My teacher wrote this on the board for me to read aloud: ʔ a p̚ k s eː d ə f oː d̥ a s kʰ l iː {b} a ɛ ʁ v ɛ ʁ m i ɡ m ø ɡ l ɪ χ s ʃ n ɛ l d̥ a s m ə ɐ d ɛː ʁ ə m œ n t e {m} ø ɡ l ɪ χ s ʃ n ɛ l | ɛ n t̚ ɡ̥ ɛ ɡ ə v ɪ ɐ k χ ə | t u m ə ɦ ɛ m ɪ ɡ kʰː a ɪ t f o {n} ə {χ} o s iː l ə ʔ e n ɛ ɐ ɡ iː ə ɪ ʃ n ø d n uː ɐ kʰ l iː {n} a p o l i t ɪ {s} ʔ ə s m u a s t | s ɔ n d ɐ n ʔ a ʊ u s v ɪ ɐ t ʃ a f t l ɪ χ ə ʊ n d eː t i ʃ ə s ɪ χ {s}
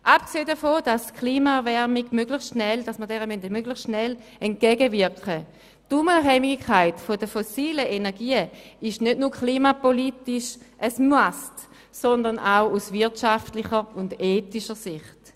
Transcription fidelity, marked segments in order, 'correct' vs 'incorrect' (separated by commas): incorrect, correct, incorrect, incorrect, incorrect, incorrect, incorrect